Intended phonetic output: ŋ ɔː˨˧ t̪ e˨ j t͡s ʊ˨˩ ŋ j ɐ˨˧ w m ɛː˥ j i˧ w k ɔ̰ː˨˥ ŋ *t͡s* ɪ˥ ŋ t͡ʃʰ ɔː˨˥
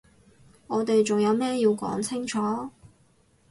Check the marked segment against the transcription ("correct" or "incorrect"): incorrect